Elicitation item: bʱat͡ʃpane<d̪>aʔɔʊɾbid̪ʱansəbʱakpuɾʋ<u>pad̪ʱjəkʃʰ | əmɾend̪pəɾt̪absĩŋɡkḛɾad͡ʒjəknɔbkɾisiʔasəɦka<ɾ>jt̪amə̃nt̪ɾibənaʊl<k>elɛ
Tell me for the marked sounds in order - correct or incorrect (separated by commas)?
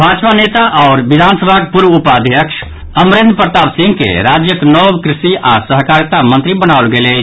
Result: incorrect, correct, correct, incorrect